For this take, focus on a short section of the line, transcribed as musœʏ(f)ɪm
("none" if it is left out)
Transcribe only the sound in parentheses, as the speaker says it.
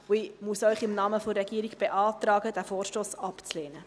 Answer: χ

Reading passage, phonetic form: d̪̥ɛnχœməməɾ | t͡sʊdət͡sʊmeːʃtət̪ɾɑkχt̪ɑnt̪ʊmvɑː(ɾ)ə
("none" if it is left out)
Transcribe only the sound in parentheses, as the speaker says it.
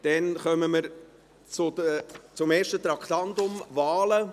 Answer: l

